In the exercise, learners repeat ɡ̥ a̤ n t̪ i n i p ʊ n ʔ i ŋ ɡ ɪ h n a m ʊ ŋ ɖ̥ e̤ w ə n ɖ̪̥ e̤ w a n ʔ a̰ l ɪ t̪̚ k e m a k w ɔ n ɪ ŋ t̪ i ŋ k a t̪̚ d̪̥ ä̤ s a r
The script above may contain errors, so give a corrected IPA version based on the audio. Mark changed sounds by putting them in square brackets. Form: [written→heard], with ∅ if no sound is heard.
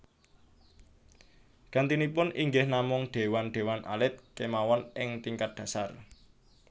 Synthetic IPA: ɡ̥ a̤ n t̪ i n i p ʊ n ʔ i ŋ ɡ ɪ h n a m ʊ ŋ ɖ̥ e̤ w [ə→a] n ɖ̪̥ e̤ w a n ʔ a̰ l ɪ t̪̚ k e m a [k→∅] w ɔ n ɪ ŋ t̪ i ŋ k a t̪̚ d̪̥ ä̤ s a r